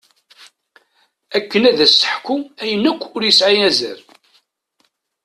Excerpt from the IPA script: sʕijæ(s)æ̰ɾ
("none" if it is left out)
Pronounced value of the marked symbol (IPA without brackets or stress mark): z